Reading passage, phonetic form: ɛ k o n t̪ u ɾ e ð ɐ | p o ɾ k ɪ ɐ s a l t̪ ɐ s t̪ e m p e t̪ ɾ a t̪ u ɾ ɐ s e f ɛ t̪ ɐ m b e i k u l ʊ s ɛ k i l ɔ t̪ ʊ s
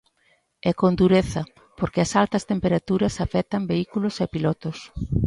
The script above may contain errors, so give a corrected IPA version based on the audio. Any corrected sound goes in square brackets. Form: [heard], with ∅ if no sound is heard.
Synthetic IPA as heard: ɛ k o n [d̪] u ɾ e [θ] ɐ | p o ɾ k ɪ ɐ s a l t̪ ɐ s t̪ e m p e [∅] ɾ a t̪ u ɾ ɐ s [a] f ɛ t̪ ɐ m b e i k u l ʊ s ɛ [p] i l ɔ t̪ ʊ s

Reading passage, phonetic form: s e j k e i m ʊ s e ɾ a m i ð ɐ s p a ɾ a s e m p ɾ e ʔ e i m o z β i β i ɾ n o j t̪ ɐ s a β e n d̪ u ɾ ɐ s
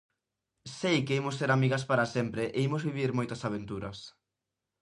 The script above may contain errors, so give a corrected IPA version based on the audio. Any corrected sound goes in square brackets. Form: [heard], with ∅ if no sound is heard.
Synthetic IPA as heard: s e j k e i m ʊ s e ɾ a m i [ɣ] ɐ s p a ɾ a s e m p ɾ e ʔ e i m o z β i β i ɾ [m] o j t̪ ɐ s a β e n [t̪] u ɾ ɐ s

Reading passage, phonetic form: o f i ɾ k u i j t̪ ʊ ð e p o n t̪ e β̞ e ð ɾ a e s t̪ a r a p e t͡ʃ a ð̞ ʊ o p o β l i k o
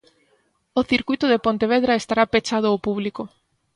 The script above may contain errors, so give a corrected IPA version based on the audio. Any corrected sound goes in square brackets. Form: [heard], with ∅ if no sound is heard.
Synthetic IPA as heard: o [θ] i ɾ k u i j t̪ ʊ ð e p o n t̪ e β̞ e ð ɾ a e s t̪ a [ɾ] a p e t͡ʃ a ð̞ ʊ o p [u] β l i k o

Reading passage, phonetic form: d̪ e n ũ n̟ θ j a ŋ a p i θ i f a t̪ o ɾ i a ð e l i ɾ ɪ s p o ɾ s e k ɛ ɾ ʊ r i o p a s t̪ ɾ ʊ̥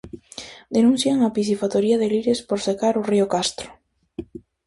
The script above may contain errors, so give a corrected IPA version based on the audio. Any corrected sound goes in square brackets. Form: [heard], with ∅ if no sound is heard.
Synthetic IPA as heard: d̪ e n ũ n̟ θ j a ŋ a p i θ i f a t̪ o ɾ i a ð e l i ɾ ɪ s p o ɾ s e k [a] ɾ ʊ r i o [k] a s t̪ ɾ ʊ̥

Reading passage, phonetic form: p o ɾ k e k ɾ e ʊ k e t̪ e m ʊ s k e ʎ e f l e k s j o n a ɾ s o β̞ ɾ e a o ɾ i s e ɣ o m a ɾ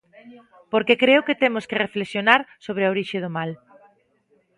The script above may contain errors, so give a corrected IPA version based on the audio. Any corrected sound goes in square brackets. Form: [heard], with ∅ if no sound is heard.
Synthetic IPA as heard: p o ɾ k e k ɾ e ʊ k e t̪ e m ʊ s k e [r] e f l e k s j o n a ɾ s o β̞ ɾ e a o ɾ i [ʃ] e [ð] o m a [l]

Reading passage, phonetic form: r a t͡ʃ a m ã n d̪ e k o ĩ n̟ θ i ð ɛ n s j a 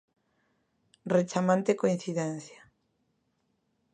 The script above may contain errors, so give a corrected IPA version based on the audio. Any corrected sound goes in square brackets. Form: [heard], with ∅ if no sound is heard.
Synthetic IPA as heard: r [e] t͡ʃ a m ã n [t̪] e k o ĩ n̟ θ i ð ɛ n [θ] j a

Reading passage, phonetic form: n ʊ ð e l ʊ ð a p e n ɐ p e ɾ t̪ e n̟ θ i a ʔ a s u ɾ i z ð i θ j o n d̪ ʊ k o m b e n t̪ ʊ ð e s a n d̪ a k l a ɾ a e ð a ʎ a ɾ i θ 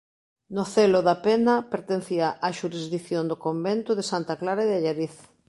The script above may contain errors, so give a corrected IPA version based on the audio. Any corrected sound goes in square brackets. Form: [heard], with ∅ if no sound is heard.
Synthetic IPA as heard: n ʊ [θ] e l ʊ ð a p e n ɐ p e ɾ t̪ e n̟ θ i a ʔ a [ʃ] u ɾ i z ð i θ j o n d̪ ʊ k o m b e n t̪ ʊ ð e s a n [t̪] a k l a ɾ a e ð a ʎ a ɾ i θ

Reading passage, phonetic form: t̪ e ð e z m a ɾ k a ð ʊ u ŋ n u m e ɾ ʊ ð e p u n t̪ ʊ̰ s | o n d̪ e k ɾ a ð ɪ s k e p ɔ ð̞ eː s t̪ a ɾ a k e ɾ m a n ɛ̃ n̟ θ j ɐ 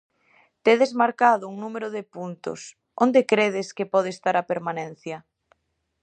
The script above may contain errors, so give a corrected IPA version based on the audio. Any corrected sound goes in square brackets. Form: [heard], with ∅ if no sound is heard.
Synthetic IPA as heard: t̪ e ð e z m a ɾ k a ð ʊ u ŋ n u m e ɾ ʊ ð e p u n t̪ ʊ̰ s | o n d̪ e k ɾ [e] ð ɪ s k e p ɔ ð̞ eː s t̪ a ɾ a [p] e ɾ m a n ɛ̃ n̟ θ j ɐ

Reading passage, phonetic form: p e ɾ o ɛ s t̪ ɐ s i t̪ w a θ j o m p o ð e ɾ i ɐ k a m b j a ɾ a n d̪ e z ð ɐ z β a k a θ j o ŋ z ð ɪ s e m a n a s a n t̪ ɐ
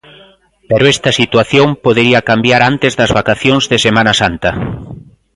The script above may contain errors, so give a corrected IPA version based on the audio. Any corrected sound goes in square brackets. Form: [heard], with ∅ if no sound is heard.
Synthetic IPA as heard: p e ɾ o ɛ s t̪ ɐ s i t̪ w a θ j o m p o ð e ɾ i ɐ k a m b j a ɾ a n [t̪] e z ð ɐ z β a k a θ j o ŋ z ð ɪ s e m a n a s a n t̪ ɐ

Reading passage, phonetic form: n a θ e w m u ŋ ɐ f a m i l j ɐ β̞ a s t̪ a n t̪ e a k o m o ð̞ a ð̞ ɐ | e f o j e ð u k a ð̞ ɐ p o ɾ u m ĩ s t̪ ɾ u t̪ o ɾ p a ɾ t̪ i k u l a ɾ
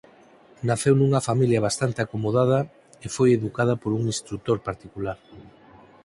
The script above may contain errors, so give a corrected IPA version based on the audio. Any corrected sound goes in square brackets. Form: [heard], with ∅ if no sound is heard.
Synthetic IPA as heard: n a θ e w [n] u ŋ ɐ f a m i l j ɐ β̞ a s t̪ a n t̪ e a k o m o ð̞ a ð̞ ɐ | e f o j e ð u k a ð̞ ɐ p o ɾ u [ŋ] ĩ s t̪ ɾ u t̪ o ɾ p a ɾ t̪ i k u l a ɾ

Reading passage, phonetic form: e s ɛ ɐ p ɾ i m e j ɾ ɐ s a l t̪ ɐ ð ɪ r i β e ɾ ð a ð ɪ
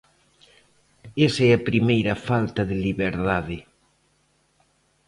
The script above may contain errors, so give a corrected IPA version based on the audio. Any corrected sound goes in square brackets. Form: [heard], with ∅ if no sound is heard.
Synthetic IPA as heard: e s ɛ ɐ p ɾ i m e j ɾ ɐ [f] a l t̪ ɐ ð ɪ [l] i β e ɾ ð a ð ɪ

